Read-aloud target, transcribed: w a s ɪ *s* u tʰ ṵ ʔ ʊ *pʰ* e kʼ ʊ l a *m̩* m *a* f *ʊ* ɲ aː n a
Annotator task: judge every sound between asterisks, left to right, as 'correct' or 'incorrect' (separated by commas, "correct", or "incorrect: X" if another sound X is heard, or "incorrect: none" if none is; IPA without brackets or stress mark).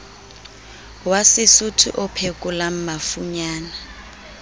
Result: correct, correct, correct, correct, incorrect: u